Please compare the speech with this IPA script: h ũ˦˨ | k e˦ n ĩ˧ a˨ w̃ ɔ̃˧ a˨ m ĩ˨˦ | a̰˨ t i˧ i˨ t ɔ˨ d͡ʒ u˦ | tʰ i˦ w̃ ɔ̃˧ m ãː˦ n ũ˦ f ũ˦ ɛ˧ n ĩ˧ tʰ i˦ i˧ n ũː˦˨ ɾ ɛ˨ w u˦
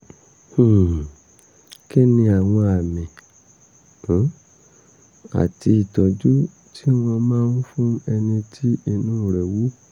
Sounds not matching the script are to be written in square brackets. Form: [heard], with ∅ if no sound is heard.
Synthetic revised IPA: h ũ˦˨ | k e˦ n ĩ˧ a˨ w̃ ɔ̃˧ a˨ m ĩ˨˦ | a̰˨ t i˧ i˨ t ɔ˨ d͡ʒ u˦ | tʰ i˦ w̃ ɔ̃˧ m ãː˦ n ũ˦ f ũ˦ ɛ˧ n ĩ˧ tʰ i˦ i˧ n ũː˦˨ ɾ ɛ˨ w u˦